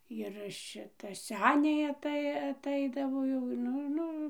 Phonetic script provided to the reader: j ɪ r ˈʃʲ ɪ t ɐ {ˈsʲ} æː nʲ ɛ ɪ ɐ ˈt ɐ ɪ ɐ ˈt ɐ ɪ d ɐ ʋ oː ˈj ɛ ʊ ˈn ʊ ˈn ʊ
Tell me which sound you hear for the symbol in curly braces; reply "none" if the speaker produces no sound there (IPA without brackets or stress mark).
sʲ